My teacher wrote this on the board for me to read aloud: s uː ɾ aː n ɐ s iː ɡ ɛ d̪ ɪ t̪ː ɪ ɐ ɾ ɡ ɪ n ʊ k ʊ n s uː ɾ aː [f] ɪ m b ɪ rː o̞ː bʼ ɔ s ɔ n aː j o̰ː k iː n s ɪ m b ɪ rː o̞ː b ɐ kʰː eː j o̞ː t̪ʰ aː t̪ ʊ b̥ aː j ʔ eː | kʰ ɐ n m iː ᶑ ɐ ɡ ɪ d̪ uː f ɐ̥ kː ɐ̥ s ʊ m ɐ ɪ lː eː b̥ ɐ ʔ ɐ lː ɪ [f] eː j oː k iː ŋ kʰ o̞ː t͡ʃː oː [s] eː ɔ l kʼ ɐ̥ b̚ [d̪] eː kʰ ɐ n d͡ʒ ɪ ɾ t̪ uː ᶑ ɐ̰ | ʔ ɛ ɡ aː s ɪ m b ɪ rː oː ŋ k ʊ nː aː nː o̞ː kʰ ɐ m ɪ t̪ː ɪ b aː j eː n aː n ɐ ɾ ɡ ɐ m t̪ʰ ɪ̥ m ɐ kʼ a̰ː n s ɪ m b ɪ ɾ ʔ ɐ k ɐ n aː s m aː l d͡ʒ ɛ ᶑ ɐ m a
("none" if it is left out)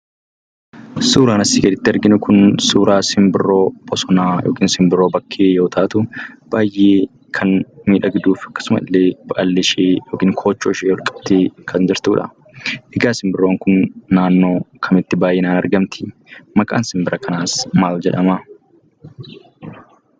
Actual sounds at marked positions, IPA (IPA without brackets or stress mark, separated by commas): s, ʃ, ʃ, t̪